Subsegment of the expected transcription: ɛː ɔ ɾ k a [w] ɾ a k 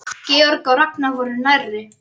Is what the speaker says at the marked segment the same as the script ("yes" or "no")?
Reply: yes